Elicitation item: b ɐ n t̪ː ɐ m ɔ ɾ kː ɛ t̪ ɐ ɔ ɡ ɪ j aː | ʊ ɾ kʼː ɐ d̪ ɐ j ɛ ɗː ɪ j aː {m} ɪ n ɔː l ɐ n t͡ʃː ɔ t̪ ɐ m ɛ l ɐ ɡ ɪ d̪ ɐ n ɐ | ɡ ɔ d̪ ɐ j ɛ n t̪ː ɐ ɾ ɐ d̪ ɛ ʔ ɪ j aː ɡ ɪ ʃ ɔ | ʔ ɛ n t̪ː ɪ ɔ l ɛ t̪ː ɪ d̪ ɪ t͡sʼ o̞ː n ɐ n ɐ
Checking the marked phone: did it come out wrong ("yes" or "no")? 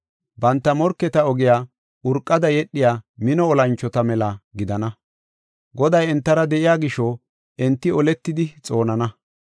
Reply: no